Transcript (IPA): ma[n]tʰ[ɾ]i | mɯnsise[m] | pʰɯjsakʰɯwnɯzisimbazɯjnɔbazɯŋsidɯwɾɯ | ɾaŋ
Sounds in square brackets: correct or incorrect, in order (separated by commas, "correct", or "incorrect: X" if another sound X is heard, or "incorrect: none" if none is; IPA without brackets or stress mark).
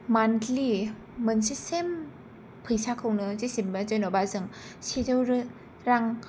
correct, incorrect: l, correct